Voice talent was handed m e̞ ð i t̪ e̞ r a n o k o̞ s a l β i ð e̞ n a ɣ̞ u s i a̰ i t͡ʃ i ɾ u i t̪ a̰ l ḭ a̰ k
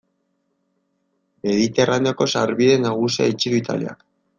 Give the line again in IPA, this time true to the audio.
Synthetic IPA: m e̞ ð i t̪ e̞ r a n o k o̞ s a ɾ β i ð e̞ n a ɣ̞ u s i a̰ i t͡ʃ i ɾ u i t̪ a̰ l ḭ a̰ k